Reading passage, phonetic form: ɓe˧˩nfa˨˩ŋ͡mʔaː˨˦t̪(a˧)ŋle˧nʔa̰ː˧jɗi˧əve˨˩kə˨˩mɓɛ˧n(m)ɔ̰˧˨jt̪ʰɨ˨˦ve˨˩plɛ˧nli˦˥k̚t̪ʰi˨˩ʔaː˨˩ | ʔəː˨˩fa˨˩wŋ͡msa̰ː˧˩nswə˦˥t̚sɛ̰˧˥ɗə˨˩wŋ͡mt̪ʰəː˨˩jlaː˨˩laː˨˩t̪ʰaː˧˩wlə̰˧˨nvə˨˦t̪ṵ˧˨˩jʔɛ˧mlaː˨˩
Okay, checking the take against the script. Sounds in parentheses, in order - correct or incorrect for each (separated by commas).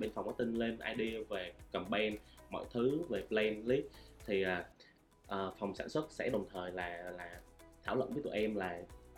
incorrect, correct